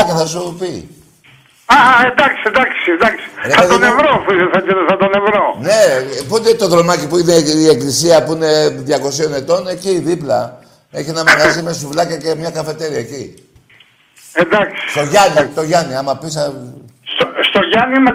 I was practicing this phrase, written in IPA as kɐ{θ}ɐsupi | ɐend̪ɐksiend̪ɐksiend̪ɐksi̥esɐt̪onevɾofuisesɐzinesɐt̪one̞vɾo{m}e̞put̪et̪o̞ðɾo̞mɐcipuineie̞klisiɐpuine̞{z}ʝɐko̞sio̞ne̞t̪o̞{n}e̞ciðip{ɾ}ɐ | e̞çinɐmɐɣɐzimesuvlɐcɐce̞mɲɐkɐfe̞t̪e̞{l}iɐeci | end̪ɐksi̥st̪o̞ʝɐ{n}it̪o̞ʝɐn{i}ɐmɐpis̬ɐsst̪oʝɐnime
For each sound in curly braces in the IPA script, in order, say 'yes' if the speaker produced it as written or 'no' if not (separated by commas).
yes, no, no, yes, no, no, yes, yes